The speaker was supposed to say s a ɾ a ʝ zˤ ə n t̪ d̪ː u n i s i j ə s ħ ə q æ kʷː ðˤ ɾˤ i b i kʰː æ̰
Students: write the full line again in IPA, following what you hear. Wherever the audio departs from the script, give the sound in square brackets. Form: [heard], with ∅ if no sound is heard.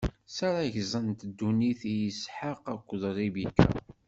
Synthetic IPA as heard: s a ɾ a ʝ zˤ ə n t̪ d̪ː u n i [θ] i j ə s ħ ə q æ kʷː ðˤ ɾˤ i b i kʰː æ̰